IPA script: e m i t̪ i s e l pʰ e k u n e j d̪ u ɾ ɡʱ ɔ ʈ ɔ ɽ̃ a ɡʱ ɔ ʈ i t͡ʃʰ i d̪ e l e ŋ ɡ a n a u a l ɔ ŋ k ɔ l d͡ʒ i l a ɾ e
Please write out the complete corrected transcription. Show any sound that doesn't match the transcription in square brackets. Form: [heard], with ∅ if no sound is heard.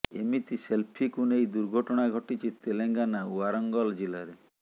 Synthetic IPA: e m i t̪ i s e l pʰ [i] k u n e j d̪ u ɾ ɡʱ ɔ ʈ ɔ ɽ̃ a ɡʱ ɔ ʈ i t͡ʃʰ i [t̪] e l e ŋ ɡ a n a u a [ɾ] ɔ ŋ [ɡ] ɔ l d͡ʒ i l a ɾ e